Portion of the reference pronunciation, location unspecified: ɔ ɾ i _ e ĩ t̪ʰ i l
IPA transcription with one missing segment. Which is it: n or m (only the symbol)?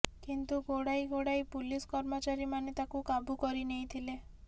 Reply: n